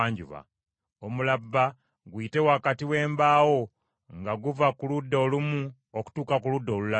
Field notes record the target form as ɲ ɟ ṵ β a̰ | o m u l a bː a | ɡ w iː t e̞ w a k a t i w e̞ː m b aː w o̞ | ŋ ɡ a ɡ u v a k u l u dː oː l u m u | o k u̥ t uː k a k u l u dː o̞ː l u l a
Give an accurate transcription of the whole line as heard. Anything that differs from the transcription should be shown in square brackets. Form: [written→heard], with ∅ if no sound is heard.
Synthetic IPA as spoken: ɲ ɟ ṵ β a̰ | o m u l a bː a | ɡ w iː t e̞ w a k a t i w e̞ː m b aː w o̞ | ŋ ɡ a ɡ u v a k u l u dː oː l u m u | o k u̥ t uː k a k u l u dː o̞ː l u l a